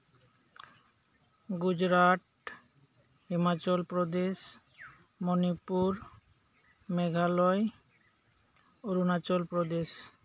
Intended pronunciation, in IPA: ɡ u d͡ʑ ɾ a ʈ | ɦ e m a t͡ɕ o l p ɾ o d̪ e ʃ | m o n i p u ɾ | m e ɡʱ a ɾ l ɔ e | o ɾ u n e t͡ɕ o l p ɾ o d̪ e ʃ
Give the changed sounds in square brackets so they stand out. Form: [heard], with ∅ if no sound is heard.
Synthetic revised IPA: ɡ u d͡ʑ ɾ a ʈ | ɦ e m a t͡ɕ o l p ɾ o d̪ e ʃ | m o n i p u ɾ | m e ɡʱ a [∅] l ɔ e | o ɾ u n [a] t͡ɕ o l p ɾ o d̪ e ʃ